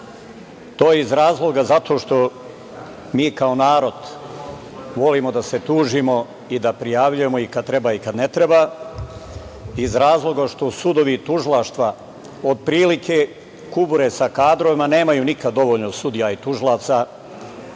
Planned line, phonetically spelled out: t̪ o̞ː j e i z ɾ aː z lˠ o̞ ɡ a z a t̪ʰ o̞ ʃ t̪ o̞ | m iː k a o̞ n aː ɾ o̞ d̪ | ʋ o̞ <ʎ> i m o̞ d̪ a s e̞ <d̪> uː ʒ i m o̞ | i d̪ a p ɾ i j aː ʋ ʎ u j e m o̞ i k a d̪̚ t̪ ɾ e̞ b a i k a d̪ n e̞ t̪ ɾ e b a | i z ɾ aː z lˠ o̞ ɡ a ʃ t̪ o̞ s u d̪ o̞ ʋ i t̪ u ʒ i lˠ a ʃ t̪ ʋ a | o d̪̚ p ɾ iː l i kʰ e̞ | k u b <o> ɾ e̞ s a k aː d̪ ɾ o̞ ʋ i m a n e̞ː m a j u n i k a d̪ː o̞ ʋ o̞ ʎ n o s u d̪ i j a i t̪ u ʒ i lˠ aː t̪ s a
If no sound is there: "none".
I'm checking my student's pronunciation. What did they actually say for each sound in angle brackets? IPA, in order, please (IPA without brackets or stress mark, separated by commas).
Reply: l, t̪, u